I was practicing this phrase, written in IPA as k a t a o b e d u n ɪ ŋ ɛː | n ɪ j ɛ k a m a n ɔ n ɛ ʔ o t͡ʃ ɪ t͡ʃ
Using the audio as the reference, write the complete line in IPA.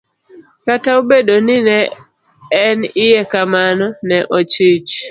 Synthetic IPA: k a t a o b e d o n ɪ n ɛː | n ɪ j ɛ k a m a n ɔ n ɛ ʔ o t͡ʃ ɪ t͡ʃ